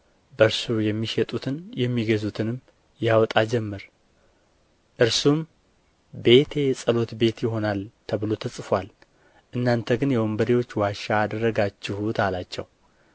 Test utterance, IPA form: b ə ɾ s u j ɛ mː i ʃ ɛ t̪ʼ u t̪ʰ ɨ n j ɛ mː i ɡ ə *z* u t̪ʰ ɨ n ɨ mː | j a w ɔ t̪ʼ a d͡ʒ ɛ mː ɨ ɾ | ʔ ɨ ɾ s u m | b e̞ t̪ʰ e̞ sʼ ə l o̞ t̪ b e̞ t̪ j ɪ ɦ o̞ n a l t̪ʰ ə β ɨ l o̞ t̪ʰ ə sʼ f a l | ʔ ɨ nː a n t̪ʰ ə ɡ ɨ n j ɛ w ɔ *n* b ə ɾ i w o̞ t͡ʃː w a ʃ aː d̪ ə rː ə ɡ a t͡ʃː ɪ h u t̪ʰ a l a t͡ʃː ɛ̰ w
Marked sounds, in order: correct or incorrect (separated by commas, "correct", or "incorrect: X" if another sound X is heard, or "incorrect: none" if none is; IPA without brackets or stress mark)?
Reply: correct, incorrect: m